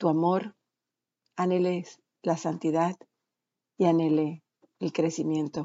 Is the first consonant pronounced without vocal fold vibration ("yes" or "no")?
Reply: yes